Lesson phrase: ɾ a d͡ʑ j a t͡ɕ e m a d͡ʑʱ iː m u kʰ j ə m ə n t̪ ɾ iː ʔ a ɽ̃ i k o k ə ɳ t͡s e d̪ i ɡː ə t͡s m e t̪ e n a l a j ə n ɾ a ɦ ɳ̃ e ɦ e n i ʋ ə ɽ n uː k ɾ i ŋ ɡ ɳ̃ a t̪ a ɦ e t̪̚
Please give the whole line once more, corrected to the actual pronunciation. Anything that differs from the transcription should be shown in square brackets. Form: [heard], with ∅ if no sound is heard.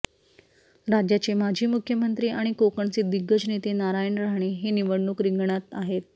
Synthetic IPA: ɾ a d͡ʑ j a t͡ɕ e m a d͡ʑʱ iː m u kʰ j ə m ə n t̪ ɾ iː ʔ a ɽ̃ i k o k ə ɳ t͡s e d̪ i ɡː ə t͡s [n] e t̪ e n a [ɾ] a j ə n ɾ a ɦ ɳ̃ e ɦ e n i ʋ ə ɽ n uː k ɾ i ŋ ɡ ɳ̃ a t̪ a ɦ e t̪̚